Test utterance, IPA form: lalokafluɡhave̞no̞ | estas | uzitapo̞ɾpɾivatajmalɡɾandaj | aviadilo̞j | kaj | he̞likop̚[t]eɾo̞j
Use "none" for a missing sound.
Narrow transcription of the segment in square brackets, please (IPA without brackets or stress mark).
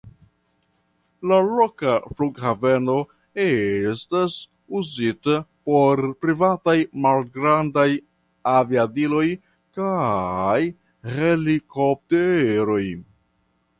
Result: t